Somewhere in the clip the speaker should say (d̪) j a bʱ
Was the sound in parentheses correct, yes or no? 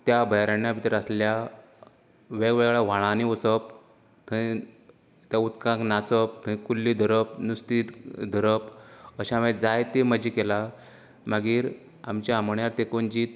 no